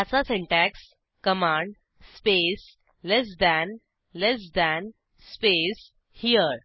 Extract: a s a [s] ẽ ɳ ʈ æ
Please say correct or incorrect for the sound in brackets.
correct